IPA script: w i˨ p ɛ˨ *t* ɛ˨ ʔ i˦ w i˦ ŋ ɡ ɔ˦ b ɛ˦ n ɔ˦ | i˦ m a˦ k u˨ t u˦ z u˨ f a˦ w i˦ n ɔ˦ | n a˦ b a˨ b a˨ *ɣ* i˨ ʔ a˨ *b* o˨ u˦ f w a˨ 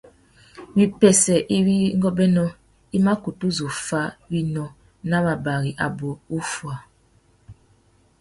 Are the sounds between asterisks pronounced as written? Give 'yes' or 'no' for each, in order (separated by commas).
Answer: no, yes, yes